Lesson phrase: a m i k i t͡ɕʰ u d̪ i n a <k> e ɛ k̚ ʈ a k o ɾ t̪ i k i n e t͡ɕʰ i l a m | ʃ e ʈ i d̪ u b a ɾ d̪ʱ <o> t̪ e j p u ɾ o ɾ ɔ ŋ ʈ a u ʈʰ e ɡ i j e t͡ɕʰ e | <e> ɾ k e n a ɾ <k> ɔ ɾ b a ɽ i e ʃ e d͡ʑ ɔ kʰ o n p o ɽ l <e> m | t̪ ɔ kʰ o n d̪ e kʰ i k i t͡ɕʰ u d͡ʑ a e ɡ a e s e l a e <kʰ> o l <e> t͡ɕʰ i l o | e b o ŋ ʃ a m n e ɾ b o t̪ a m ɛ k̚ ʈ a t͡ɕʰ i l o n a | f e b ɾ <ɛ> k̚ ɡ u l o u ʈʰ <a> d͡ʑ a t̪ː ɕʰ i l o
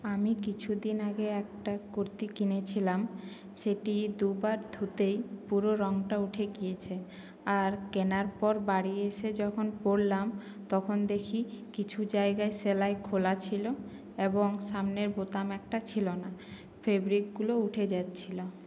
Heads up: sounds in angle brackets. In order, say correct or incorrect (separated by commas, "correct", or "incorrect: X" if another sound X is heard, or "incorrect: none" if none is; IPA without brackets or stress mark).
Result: incorrect: ɡ, incorrect: u, incorrect: a, incorrect: p, incorrect: a, correct, incorrect: a, incorrect: i, incorrect: e